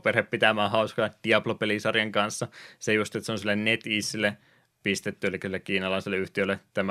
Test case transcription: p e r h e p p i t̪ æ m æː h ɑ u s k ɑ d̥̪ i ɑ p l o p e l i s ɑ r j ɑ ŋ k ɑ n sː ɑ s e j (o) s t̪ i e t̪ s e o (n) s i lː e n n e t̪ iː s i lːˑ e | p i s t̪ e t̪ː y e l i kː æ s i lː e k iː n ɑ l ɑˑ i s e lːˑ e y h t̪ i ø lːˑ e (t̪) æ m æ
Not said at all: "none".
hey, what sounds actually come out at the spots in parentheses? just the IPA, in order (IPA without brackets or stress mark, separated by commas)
u, n, t̪